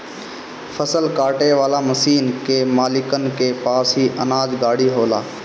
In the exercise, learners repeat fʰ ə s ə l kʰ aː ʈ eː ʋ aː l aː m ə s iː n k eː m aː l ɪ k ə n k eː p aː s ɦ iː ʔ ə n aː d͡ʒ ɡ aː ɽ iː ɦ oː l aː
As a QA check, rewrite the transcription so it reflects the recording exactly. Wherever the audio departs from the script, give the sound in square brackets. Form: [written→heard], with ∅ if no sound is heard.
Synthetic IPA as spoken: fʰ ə s ə l [kʰ→k] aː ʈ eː ʋ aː l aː m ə s iː n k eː m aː l ɪ k ə n k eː p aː s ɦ iː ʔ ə n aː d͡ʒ ɡ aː ɽ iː ɦ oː l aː